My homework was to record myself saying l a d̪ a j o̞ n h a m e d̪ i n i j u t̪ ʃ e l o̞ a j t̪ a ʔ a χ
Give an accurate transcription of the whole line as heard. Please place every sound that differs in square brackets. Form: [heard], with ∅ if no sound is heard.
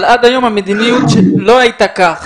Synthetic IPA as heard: l a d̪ a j o̞ [m] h a m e d̪ i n i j u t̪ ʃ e l o̞ a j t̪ a [k] a χ